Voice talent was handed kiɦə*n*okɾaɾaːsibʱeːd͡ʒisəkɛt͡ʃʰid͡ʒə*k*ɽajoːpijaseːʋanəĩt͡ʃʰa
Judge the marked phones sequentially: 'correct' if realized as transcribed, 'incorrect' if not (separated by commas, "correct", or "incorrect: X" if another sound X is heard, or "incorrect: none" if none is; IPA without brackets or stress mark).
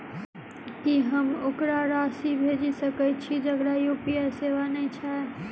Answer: incorrect: m, incorrect: ɡ